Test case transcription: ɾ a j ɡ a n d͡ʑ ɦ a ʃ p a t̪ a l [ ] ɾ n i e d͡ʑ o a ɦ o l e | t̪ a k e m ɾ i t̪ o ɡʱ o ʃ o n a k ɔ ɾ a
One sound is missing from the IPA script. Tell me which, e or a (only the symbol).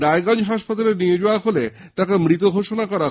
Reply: e